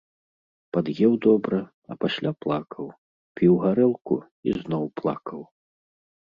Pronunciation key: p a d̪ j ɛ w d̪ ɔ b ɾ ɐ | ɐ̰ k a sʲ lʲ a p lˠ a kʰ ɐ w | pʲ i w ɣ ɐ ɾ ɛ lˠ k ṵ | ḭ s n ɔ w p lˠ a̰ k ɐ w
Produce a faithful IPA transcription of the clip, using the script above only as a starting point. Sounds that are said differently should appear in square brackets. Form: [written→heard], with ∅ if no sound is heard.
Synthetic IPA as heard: p a d̪ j ɛ w d̪ ɔ b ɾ ɐ | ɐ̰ [k→p] a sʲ lʲ a p lˠ a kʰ ɐ w | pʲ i w ɣ [ɐ→a] ɾ ɛ lˠ k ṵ | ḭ [s→z] n ɔ w p lˠ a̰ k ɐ w